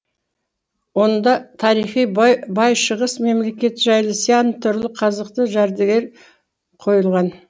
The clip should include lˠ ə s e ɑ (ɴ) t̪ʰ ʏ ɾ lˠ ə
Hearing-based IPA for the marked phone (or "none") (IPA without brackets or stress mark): n